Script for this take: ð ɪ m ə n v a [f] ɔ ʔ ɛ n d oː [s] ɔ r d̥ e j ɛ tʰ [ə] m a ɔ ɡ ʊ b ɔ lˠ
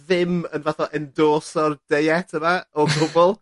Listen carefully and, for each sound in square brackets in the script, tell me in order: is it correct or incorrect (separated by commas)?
incorrect, correct, correct